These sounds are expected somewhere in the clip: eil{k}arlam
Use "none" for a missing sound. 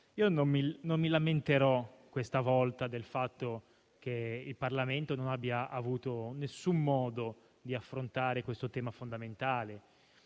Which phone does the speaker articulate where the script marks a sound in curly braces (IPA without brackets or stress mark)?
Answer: p